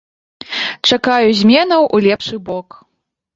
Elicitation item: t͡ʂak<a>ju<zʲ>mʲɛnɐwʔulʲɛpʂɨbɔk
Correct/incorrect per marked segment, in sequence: correct, correct

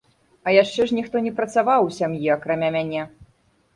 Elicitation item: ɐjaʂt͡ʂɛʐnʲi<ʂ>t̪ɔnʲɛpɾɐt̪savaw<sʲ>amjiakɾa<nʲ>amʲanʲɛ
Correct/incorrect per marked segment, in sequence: incorrect: x, correct, incorrect: mʲ

